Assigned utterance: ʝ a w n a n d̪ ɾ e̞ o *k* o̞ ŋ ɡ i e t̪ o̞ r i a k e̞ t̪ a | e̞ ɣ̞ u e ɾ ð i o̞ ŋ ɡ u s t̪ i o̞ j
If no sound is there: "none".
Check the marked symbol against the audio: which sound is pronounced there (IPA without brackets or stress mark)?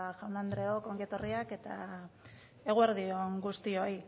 k